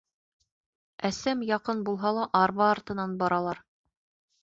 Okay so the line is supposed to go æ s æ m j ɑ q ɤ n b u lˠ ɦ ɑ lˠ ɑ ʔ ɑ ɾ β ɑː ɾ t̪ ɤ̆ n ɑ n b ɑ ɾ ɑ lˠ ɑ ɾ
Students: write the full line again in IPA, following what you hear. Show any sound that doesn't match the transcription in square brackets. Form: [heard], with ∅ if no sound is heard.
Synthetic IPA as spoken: æ s æ m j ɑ q ɤ n b u lˠ ɦ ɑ lˠ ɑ ʔ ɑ ɾ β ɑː ɾ t̪ ɤ̆ n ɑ n b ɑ ɾ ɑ lˠ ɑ ɾ